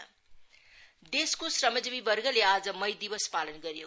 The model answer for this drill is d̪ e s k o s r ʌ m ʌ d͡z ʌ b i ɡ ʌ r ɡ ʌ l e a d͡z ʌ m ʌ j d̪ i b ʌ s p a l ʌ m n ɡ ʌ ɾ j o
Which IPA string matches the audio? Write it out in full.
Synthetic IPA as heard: d̪ e s k o s r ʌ m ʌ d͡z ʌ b i b ʌ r ɡ ʌ l e a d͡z ʌ m ʌ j d̪ i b ʌ s p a l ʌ n ɡ ʌ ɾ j o